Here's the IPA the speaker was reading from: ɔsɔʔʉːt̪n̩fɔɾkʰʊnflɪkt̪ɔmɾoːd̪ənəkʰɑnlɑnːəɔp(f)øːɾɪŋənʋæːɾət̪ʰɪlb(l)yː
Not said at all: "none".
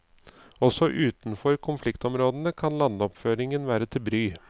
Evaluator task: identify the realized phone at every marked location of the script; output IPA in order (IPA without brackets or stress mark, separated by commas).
f, ɾ